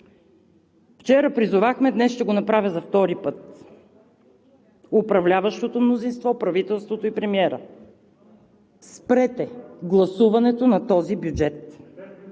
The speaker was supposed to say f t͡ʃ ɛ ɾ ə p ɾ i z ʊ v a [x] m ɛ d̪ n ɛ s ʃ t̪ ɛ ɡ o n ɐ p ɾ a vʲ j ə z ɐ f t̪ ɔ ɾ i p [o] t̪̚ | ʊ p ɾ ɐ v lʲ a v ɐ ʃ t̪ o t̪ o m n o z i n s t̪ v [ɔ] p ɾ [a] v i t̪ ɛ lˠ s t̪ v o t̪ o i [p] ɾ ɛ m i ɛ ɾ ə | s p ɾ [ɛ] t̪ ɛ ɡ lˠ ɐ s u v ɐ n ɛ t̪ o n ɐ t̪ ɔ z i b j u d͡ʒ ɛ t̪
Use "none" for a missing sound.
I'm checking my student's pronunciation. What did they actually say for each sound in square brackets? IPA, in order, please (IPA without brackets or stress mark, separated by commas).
x, ɤ, ɔ, ɐ, p, ɛ